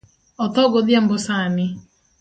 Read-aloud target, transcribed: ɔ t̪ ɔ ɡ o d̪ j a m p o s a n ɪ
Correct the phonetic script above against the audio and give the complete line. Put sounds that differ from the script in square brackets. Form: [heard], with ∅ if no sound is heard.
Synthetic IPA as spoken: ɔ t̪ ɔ ɡ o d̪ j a m [b] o s a n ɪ